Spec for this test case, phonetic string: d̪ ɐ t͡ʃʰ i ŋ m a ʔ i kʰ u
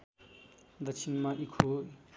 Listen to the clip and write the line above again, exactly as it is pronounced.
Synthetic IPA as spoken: d̪ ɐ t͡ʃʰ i n m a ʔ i kʰ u